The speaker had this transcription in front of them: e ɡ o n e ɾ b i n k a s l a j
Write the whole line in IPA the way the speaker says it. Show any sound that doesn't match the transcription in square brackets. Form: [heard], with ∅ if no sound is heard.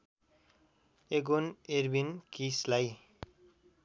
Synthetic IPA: e ɡ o n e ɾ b i n k [i] s l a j